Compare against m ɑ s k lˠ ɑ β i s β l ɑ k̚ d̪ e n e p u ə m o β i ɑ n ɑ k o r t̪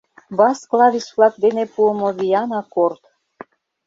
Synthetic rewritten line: b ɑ s k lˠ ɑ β i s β l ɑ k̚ d̪ e n e p u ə m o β i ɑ n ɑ k o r t̪